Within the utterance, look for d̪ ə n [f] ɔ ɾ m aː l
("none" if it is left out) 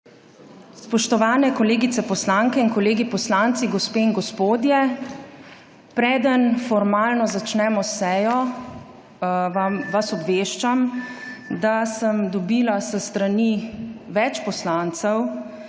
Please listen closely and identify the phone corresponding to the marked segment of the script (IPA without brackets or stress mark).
f